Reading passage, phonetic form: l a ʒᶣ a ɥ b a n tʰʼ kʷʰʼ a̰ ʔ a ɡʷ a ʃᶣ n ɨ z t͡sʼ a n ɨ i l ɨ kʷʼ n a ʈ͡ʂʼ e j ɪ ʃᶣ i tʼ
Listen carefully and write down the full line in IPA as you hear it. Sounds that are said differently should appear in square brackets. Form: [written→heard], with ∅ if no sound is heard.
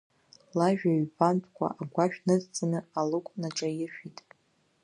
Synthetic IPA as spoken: l a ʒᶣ a ɥ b a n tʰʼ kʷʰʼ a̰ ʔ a ɡʷ a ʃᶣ n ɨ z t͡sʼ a n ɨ [i→a] l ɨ kʷʼ n a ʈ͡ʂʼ [e→a] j ɪ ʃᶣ i tʼ